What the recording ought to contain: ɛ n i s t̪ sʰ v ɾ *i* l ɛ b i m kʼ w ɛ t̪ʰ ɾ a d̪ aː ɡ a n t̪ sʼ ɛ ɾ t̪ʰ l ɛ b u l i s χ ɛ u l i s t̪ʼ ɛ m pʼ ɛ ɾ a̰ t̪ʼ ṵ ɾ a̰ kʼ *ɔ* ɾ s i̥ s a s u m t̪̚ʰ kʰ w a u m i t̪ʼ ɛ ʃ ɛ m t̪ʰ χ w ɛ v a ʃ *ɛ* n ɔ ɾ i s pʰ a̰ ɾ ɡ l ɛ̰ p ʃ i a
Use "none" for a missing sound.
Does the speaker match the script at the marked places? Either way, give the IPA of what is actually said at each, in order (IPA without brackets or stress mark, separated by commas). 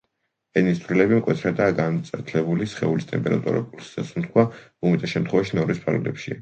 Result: i, u, i